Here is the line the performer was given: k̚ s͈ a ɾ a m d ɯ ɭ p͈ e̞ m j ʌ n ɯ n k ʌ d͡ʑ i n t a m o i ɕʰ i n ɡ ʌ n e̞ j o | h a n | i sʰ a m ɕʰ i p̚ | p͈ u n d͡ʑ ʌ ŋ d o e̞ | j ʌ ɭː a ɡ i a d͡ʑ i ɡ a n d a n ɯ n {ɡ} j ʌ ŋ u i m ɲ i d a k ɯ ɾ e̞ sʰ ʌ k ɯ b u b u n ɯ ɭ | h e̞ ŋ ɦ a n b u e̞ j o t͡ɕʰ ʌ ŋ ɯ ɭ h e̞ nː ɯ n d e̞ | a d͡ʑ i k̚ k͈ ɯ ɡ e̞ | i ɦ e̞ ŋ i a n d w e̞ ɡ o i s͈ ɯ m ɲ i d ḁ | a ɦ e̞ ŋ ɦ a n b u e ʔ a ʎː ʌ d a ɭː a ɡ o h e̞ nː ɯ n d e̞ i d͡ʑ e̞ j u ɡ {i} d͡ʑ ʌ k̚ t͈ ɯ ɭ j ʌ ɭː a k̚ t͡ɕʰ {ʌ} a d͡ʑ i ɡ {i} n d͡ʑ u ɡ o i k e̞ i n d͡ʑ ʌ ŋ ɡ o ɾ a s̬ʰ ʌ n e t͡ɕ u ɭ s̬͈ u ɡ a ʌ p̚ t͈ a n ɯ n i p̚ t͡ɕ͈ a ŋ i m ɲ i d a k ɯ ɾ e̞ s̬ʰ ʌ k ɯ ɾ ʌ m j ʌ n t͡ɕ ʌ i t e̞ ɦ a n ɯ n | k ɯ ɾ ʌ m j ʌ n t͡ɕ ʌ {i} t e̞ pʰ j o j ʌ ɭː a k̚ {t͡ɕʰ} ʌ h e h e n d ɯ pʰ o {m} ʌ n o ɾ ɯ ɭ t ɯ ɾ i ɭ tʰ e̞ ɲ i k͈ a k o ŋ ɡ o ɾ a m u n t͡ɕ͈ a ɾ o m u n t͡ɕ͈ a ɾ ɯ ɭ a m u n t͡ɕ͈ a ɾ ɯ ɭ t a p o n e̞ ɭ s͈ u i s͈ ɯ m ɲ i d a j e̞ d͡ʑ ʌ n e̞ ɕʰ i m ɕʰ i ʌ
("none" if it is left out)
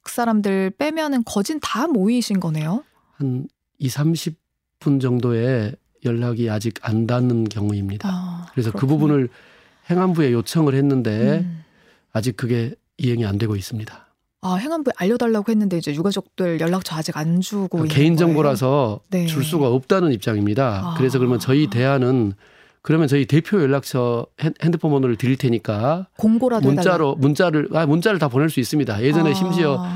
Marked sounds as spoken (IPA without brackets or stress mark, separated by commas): k, a, ʌ, a, i, t͡ɕʰ, m